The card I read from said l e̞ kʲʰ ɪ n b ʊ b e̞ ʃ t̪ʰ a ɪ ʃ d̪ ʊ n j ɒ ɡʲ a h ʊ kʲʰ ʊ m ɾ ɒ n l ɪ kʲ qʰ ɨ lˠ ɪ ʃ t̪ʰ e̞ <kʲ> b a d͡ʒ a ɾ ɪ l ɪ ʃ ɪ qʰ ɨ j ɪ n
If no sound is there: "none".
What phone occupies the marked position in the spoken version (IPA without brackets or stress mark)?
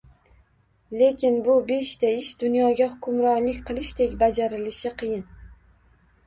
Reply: kʲ